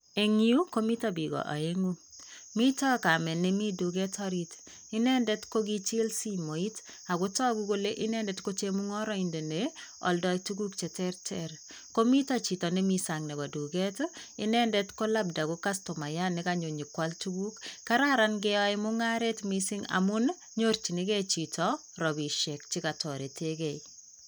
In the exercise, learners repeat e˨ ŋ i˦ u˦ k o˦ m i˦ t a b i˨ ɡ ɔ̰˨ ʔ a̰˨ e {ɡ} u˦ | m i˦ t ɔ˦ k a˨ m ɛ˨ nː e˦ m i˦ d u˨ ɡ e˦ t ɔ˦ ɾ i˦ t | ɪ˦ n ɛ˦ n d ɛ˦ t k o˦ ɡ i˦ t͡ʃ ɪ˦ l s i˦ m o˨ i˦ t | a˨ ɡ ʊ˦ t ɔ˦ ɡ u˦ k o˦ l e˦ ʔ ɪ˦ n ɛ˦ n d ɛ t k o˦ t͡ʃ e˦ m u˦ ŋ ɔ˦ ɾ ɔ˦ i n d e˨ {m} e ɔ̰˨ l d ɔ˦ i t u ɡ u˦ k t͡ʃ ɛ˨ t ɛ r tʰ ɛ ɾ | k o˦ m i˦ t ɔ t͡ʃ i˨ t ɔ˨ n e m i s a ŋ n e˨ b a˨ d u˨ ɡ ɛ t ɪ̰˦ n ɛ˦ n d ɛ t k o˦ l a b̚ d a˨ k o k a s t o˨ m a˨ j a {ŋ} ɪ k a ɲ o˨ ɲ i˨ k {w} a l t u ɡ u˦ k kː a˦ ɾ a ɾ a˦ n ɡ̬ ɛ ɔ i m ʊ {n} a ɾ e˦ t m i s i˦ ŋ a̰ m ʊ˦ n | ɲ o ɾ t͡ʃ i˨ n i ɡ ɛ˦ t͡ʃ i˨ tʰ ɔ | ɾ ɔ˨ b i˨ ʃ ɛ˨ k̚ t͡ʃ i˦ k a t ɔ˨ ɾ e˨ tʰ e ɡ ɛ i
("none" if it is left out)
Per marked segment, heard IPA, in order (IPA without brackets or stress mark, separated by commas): ŋ, n, n, w, ŋ